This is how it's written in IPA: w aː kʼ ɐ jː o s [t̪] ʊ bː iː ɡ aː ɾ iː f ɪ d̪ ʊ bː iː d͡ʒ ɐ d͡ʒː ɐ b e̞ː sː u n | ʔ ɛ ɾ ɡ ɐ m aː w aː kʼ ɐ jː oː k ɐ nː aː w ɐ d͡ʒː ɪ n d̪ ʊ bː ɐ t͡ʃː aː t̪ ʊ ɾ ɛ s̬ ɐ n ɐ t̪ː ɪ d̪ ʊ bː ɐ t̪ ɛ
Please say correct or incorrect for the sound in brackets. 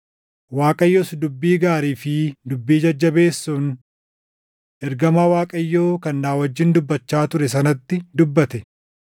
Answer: incorrect: d̪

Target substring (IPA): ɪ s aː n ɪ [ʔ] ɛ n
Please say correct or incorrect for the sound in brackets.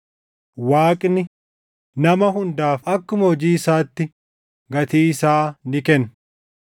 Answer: incorrect: k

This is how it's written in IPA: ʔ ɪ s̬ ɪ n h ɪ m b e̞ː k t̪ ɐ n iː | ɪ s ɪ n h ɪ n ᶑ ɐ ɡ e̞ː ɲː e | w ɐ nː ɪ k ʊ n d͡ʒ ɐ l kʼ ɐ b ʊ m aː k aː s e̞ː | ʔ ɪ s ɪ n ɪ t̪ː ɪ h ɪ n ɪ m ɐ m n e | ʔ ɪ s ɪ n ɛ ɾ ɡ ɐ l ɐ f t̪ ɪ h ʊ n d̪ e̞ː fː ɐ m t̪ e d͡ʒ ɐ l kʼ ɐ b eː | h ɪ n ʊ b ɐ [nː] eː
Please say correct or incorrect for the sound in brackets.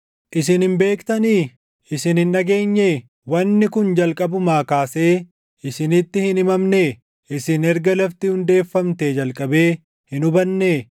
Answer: correct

